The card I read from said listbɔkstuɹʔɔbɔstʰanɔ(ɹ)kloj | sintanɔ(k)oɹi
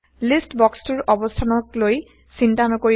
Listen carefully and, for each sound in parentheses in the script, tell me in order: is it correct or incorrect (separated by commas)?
incorrect, correct